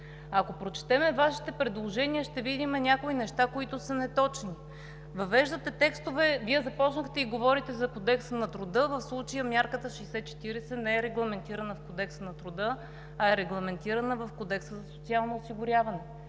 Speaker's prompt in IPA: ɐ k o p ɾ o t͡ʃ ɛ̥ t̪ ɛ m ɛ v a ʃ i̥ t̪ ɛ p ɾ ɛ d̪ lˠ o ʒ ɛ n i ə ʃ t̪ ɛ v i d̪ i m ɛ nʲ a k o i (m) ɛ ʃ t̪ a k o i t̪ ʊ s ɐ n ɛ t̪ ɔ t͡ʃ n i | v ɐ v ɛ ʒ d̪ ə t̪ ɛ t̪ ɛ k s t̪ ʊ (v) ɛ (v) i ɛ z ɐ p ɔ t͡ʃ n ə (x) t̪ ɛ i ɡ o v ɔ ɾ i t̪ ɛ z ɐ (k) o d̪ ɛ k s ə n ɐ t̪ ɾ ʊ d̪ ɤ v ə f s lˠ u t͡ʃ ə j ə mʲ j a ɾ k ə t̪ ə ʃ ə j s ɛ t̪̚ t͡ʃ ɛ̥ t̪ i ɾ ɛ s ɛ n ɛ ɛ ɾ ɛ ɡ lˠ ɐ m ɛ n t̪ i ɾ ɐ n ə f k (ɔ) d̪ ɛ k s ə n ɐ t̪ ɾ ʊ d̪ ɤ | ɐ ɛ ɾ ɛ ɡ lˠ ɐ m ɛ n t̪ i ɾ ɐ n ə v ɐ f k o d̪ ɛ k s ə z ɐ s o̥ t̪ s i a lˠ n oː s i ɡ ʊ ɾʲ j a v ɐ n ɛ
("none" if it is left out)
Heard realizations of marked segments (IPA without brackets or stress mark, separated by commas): n, v, v, x, k, o